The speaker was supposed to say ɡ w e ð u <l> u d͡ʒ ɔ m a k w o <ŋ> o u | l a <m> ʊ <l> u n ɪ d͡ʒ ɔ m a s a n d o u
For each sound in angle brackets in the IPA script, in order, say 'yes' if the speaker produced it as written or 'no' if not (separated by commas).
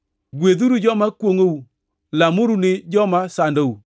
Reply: no, yes, yes, no